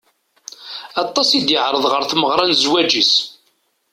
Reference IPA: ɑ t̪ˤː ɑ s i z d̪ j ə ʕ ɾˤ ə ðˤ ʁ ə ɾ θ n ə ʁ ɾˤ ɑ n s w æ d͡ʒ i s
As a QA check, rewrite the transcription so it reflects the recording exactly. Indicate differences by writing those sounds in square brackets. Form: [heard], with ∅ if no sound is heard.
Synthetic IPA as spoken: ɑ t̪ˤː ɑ s i [∅] d̪ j ə ʕ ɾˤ ə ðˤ ʁ ə ɾ θ [m] ə ʁ ɾˤ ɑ n [z] w æ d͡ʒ i s